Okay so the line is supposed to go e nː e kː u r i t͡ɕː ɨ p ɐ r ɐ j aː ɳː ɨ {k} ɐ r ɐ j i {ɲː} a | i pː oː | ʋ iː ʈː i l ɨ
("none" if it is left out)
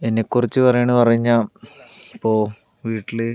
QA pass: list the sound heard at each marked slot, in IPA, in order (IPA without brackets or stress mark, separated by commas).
p, ɲː